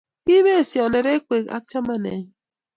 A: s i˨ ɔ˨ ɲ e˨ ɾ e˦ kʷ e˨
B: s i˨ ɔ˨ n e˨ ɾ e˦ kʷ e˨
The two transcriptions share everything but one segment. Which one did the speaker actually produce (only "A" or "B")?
B